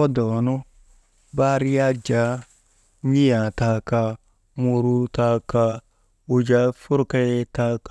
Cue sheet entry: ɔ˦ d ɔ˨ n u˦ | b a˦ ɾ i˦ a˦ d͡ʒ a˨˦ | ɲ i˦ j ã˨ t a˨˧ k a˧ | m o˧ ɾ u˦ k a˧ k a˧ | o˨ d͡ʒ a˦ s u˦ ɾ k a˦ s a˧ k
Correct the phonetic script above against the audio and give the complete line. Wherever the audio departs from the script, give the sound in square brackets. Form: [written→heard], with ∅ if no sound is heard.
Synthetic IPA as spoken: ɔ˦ d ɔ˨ n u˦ | b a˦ ɾ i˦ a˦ d͡ʒ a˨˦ | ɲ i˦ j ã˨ t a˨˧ k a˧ | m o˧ ɾ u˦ [k→t] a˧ k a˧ | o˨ d͡ʒ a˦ [s→f] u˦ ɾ k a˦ [s→t] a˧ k